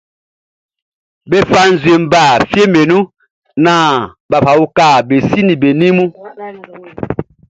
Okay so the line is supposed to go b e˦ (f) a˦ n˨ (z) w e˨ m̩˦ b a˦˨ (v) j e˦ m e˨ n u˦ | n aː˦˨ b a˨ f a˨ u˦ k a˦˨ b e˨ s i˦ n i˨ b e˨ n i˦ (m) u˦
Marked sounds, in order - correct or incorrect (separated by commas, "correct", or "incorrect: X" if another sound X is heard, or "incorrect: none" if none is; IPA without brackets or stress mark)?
correct, correct, incorrect: f, correct